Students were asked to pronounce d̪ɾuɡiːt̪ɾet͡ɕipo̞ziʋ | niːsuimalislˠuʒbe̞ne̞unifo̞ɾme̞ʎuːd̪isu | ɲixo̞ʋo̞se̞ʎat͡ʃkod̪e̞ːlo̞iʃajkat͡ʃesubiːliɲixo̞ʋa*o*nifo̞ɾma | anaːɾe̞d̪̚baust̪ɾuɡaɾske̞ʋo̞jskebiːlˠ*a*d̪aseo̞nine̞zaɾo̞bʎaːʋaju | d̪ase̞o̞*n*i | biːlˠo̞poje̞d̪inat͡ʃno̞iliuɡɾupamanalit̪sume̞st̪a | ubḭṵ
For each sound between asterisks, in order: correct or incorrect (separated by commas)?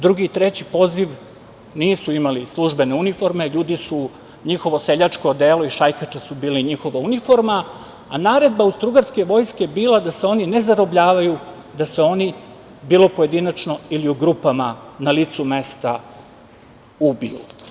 incorrect, correct, correct